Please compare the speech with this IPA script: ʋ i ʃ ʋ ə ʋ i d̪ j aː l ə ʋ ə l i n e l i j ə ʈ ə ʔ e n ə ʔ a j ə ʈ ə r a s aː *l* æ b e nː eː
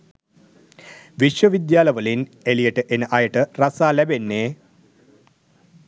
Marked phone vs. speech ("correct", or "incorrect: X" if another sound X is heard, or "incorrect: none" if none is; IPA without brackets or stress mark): correct